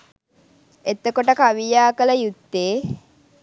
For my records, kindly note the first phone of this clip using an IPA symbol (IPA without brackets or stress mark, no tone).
e